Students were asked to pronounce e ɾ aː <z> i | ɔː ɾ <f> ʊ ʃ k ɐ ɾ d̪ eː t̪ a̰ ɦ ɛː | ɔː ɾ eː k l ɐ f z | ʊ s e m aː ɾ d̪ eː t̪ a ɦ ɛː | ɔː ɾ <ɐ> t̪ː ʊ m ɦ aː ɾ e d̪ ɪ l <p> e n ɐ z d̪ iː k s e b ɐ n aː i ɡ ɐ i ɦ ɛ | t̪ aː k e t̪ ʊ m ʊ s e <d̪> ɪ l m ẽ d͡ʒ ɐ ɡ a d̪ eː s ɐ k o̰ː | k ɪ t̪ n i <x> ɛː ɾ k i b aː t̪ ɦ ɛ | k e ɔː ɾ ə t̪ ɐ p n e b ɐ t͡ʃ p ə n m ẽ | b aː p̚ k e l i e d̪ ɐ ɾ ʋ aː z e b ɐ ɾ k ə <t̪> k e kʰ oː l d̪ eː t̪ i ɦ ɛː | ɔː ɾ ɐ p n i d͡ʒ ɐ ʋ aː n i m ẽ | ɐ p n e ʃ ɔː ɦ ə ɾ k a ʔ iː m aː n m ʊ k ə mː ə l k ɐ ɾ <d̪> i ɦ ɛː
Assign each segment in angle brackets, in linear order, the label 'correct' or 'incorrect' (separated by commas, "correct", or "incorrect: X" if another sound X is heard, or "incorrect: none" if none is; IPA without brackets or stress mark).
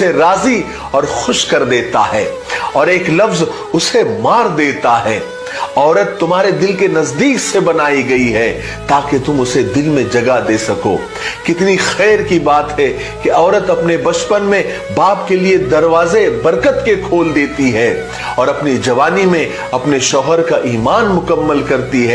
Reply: correct, incorrect: x, incorrect: ə, incorrect: k, correct, correct, correct, incorrect: t̪